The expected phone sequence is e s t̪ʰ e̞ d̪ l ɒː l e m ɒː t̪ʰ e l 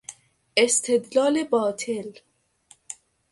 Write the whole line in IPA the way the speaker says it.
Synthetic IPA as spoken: e s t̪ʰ e̞ d̪ l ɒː l e b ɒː t̪ʰ e l